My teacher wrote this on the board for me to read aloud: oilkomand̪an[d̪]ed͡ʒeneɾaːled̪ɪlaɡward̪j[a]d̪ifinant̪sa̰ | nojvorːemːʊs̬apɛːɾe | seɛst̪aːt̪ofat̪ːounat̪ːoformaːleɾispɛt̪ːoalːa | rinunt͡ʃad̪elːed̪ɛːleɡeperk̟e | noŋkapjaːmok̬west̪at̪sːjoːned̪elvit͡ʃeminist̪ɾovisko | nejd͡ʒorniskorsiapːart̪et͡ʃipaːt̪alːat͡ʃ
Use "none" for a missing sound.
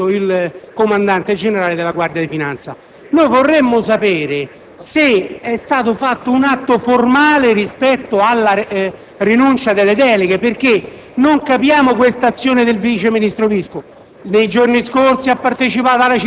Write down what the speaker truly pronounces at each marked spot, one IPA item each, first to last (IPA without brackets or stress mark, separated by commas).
t̪, a